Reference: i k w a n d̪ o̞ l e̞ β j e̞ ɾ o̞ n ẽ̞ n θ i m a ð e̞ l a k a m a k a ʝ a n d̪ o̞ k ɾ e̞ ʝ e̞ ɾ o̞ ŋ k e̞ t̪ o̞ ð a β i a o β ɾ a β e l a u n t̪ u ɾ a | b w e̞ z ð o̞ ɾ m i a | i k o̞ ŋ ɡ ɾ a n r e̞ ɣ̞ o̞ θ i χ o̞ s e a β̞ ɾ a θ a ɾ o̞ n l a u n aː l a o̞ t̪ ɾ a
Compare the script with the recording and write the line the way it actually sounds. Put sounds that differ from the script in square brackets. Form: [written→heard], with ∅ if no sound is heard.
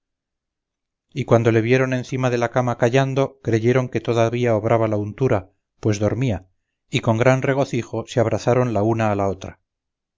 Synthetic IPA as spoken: i k w a n d̪ o̞ l e̞ β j e̞ ɾ o̞ n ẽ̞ n θ i m a ð e̞ l a k a m a k a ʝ a n d̪ o̞ k ɾ e̞ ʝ e̞ ɾ o̞ ŋ k e̞ t̪ o̞ ð a β i a o β ɾ a β [e→a] l a u n t̪ u ɾ a | [b→p] w e̞ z ð o̞ ɾ m i a | i k o̞ ŋ ɡ ɾ a n r e̞ ɣ̞ o̞ θ i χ o̞ s e a β̞ ɾ a θ a ɾ o̞ n l a u n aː l a o̞ t̪ ɾ a

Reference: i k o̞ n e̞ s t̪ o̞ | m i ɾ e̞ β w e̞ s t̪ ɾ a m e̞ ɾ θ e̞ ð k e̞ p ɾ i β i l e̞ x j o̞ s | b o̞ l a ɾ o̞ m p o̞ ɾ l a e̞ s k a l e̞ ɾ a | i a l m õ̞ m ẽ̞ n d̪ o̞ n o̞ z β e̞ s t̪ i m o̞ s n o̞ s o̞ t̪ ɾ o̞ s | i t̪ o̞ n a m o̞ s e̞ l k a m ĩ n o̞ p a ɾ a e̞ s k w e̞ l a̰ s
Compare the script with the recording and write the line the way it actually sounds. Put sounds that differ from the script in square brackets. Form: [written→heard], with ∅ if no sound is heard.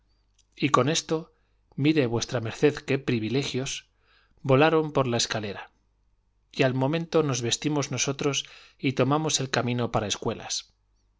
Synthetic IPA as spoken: i k o̞ n e̞ s t̪ o̞ | m i ɾ e̞ β w e̞ s t̪ ɾ a m e̞ ɾ θ e̞ ð k e̞ p ɾ i β i l e̞ x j o̞ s | b o̞ l a ɾ o̞ m p o̞ ɾ l a e̞ s k a l e̞ ɾ a | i a l m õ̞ m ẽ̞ n [d̪→t̪] o̞ n o̞ z β e̞ s t̪ i m o̞ [s→z] n o̞ s o̞ t̪ ɾ o̞ s | i t̪ o̞ [n→m] a m o̞ s e̞ l k a m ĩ n o̞ p a ɾ a e̞ s k w e̞ l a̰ s

